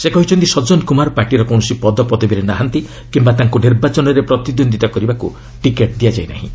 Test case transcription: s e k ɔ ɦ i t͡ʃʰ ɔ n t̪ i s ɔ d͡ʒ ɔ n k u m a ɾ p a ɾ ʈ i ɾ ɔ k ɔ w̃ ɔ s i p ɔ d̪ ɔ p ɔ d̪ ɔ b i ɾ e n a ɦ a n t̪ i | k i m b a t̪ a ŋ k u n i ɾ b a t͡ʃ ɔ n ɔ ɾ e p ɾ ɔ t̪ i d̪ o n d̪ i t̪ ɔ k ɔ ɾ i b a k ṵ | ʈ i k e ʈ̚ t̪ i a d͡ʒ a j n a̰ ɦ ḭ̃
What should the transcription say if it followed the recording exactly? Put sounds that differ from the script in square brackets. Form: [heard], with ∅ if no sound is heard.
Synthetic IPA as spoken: s e k ɔ ɦ i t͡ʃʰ ɔ n t̪ i s ɔ d͡ʒ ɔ n k u m a ɾ p a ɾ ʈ i ɾ ɔ k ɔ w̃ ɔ s i p ɔ d̪ ɔ p ɔ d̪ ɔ b i ɾ e n a ɦ a n t̪ i | k i m b a t̪ a ŋ k u n i ɾ b a t͡ʃ ɔ n ɔ ɾ e p ɾ ɔ t̪ i d̪ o n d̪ i t̪ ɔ k ɔ ɾ i b a k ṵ | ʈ i k e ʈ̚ [d̪] i a d͡ʒ a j n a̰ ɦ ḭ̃